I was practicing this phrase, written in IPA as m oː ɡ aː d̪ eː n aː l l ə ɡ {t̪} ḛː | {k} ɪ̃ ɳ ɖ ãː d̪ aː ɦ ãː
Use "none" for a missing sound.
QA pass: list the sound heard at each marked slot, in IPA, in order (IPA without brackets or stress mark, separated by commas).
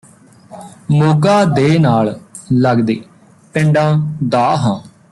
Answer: d̪, p